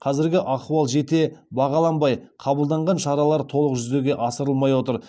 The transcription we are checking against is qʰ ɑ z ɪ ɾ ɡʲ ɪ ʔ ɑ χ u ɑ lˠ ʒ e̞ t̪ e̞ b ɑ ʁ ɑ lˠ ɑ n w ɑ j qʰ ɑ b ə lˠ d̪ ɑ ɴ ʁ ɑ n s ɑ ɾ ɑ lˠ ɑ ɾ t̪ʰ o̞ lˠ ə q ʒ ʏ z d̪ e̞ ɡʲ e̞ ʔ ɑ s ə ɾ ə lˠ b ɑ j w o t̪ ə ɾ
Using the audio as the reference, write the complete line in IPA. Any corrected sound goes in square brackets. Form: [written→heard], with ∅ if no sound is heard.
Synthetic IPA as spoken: qʰ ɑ z ɪ ɾ ɡʲ ɪ ʔ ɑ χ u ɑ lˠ ʒ e̞ t̪ e̞ b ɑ ʁ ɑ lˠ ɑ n [w→b] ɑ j qʰ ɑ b ə lˠ d̪ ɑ ɴ ʁ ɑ n [s→ʃ] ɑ ɾ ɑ lˠ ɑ ɾ t̪ʰ o̞ lˠ ə q ʒ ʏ z d̪ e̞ ɡʲ e̞ ʔ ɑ s ə ɾ ə lˠ [b→m] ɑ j w o t̪ ə ɾ

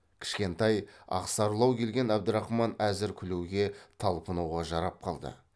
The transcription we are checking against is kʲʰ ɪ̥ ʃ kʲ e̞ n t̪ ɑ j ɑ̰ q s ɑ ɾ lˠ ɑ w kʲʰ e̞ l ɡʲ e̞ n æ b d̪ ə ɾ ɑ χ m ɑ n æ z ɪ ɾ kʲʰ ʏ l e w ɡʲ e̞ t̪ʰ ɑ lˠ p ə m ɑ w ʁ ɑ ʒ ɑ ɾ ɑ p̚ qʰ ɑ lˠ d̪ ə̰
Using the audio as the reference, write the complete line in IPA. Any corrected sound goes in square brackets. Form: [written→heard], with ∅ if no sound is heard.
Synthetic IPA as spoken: kʲʰ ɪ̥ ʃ kʲ e̞ n t̪ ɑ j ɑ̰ q s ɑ ɾ lˠ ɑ w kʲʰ e̞ l ɡʲ e̞ n æ b d̪ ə ɾ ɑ χ m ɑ n æ z ɪ ɾ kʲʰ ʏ l e w ɡʲ e̞ t̪ʰ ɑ lˠ p ə [m→n] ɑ w ʁ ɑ ʒ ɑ ɾ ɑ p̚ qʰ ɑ lˠ d̪ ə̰

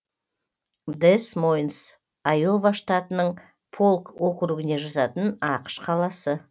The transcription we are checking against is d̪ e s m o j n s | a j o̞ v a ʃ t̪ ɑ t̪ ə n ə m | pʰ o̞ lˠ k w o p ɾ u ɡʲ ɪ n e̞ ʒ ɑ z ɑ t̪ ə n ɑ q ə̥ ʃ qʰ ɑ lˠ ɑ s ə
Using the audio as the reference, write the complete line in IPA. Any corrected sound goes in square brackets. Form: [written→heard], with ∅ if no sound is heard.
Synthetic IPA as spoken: d̪ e s m o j n s | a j o̞ v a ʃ t̪ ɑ t̪ ə n ə [m→ɴ] | pʰ o̞ lˠ k w o [p→k] ɾ u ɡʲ ɪ n e̞ ʒ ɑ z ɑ t̪ ə n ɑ q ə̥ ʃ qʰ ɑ lˠ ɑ s ə

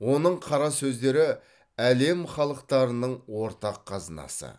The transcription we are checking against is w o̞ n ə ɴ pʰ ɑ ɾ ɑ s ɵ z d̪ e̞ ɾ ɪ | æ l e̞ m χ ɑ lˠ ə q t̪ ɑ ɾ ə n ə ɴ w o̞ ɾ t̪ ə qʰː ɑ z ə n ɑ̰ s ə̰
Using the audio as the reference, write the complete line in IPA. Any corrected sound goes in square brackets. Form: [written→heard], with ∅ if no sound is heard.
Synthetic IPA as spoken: w o̞ n ə ɴ [pʰ→qʰ] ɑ ɾ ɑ s ɵ z d̪ e̞ ɾ ɪ | æ l e̞ m χ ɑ lˠ ə q t̪ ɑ ɾ ə n ə ɴ w o̞ ɾ t̪ [ə→ɑ] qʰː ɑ z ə n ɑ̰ s ə̰

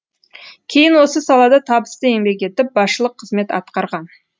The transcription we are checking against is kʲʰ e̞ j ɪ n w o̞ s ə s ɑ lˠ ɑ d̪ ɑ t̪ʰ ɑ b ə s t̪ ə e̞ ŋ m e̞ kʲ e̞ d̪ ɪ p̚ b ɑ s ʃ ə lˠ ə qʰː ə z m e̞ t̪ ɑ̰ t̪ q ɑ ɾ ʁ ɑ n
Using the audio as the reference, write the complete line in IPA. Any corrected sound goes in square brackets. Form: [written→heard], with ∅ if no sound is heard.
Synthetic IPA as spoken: kʲʰ e̞ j ɪ n w o̞ s ə s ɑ lˠ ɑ d̪ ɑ t̪ʰ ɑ b ə s t̪ ə e̞ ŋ [m→b] e̞ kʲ e̞ [d̪→t̪] ɪ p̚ b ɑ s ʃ ə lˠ ə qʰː ə z m e̞ t̪ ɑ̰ t̪ q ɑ ɾ ʁ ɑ n

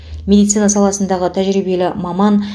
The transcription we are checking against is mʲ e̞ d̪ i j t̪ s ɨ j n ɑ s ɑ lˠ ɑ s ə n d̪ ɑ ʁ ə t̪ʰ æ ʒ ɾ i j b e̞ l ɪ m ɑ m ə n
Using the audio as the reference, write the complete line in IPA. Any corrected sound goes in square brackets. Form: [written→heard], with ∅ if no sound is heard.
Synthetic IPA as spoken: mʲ e̞ d̪ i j t̪ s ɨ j n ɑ s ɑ lˠ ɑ s ə n d̪ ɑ ʁ ə t̪ʰ æ ʒ ɾ i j b e̞ l ɪ m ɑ m [ə→ɑ] n

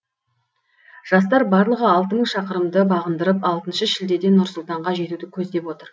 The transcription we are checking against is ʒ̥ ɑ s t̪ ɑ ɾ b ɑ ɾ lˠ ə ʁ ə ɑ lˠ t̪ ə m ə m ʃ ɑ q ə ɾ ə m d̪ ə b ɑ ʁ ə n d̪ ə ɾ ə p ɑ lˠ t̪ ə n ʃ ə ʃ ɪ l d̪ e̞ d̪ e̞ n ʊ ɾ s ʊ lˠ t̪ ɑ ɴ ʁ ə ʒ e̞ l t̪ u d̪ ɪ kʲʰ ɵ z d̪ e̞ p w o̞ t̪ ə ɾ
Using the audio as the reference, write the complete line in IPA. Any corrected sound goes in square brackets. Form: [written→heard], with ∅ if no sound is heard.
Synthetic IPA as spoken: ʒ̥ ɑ s t̪ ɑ ɾ b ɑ ɾ lˠ ə ʁ ə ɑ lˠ t̪ ə m ə [m→ɴ] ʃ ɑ q ə ɾ ə m d̪ ə b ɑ ʁ ə n d̪ ə ɾ ə p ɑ lˠ t̪ ə n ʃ ə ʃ ɪ l d̪ e̞ d̪ e̞ n ʊ ɾ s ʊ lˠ t̪ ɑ ɴ ʁ [ə→ɑ] ʒ e̞ [l→∅] t̪ u d̪ ɪ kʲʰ ɵ z d̪ e̞ p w o̞ t̪ ə ɾ

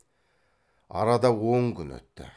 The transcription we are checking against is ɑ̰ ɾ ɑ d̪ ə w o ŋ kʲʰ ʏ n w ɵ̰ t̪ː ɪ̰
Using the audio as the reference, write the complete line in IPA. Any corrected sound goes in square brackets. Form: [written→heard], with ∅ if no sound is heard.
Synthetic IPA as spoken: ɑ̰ ɾ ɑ d̪ [ə→ɑ] w o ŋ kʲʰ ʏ n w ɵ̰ t̪ː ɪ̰

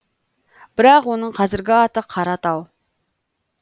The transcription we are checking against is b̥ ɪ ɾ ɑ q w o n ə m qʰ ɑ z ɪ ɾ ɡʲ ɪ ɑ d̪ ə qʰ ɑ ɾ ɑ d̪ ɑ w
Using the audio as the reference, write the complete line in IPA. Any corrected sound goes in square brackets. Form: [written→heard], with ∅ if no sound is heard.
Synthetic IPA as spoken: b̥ ɪ ɾ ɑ q w o n ə [m→ɴ] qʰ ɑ z ɪ ɾ ɡʲ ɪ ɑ [d̪→t̪] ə qʰ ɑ ɾ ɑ [d̪→t̪] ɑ w

